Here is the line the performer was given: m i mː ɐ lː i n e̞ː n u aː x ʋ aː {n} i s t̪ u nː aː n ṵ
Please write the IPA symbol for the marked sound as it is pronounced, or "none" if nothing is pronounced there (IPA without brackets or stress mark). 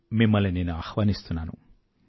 n